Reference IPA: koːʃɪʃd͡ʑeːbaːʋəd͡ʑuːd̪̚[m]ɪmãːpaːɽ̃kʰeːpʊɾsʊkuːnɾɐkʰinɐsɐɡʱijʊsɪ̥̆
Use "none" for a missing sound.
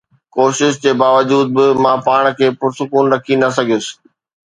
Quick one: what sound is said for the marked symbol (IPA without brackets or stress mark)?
b